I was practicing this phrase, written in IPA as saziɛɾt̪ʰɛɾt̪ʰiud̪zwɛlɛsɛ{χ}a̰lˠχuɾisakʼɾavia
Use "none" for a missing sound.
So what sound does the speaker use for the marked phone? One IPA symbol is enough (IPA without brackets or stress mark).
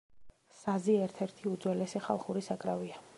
χ